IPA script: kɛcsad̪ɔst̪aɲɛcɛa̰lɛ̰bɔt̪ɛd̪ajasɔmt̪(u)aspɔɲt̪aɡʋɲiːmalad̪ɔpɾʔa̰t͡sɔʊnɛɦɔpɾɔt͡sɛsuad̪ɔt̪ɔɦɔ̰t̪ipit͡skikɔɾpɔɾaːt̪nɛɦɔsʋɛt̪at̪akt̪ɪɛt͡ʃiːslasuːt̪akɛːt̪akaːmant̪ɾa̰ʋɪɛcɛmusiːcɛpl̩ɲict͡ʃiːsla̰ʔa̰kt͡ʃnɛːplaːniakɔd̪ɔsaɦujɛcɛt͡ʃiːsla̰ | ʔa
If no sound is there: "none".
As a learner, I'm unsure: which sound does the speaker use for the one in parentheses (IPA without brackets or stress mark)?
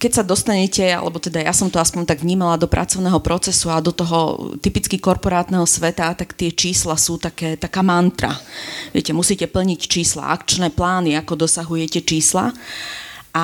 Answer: ɔ